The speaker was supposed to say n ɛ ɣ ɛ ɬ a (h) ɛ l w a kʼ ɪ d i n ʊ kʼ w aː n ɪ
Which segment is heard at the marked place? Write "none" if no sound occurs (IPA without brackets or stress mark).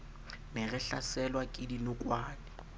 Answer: s